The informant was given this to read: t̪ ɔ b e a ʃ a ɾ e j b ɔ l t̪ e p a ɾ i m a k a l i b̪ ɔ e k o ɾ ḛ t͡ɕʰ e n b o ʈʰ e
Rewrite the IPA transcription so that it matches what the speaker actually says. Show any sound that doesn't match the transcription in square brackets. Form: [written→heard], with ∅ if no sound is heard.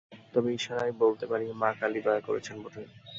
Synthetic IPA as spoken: t̪ ɔ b e [a→i] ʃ a ɾ [e→a] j b [ɔ→o] l t̪ e p a ɾ i m a k a l i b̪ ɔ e k o ɾ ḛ t͡ɕʰ e n b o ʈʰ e